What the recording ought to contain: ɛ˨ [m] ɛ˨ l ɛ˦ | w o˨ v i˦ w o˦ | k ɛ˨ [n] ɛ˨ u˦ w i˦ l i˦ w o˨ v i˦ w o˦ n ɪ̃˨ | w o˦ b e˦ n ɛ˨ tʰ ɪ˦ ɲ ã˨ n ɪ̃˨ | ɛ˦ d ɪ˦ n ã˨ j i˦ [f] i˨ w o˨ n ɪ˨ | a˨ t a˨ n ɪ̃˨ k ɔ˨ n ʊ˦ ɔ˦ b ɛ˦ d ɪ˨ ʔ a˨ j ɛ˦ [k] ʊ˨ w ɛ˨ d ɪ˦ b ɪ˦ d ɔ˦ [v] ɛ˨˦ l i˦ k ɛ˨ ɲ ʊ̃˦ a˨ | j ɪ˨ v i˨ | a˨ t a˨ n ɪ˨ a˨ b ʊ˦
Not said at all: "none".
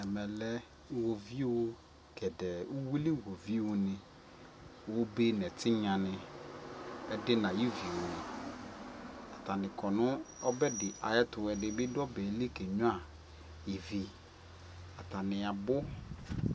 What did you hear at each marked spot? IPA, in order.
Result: m, d, v, t, b

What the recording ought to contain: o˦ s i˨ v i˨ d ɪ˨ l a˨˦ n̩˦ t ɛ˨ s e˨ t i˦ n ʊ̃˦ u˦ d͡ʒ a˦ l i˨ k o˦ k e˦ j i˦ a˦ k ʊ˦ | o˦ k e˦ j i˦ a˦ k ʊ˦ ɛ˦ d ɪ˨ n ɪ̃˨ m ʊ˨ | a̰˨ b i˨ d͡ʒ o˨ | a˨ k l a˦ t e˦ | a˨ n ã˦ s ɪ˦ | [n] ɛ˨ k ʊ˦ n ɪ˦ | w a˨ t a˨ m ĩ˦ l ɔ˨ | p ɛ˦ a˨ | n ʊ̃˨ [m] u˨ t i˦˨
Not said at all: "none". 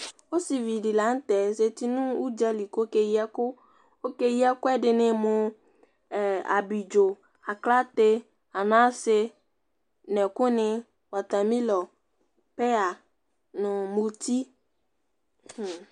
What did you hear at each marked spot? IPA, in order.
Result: n, m

